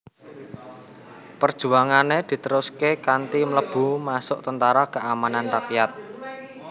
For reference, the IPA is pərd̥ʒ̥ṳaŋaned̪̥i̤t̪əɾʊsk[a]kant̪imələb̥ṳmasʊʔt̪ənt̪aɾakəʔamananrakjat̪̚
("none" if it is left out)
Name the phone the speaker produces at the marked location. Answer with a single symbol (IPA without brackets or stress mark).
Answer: e